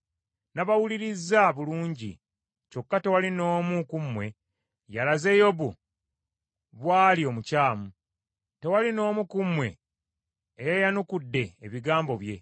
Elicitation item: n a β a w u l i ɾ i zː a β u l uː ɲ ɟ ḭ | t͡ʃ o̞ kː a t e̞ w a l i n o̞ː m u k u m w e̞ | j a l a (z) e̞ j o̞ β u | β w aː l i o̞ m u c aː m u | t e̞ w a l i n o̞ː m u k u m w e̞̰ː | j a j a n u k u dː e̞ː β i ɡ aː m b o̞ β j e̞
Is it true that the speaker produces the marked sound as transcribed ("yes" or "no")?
yes